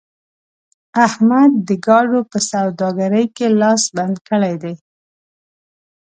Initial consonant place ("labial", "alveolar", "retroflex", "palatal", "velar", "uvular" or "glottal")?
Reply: glottal